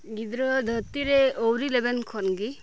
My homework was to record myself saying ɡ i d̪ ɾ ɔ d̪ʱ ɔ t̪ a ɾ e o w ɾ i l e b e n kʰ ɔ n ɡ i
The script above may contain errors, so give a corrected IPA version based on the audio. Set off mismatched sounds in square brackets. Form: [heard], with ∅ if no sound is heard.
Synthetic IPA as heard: ɡ i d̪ ɾ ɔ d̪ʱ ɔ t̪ [i] ɾ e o w ɾ i l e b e n kʰ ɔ n ɡ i